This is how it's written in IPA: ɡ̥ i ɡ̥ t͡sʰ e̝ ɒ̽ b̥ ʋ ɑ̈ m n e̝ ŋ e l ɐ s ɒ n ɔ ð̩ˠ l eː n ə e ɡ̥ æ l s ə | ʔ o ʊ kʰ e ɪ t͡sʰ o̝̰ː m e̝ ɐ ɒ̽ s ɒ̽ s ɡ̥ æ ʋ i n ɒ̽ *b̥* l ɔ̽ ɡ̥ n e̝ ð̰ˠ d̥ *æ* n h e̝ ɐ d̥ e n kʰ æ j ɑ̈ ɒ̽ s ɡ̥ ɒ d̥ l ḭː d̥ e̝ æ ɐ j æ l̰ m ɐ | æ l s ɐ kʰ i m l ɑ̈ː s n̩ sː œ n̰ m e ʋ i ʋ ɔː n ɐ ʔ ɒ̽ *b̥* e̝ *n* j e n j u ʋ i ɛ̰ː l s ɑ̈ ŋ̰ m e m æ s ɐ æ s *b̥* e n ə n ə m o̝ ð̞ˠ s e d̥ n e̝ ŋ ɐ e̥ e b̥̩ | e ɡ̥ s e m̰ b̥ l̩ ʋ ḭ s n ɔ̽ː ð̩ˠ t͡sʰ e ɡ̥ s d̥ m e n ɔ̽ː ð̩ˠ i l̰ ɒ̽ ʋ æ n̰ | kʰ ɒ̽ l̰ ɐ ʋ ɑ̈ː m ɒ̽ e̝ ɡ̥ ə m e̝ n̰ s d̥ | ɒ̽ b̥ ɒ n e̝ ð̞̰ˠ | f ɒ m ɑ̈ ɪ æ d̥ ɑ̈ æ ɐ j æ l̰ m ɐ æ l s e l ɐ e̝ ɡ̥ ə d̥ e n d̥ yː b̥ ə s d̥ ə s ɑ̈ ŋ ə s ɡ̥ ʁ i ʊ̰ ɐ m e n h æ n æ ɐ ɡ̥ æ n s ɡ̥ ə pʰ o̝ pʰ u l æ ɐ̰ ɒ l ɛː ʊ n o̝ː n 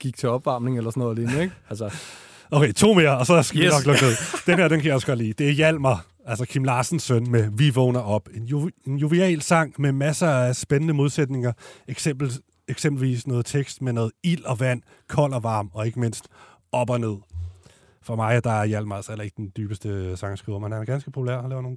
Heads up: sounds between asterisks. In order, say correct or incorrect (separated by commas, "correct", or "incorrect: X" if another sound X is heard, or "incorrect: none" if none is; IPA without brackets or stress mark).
incorrect: ɡ̥, incorrect: e, correct, correct, correct